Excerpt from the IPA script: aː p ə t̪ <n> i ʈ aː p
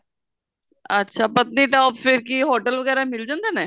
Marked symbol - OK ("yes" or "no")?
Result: yes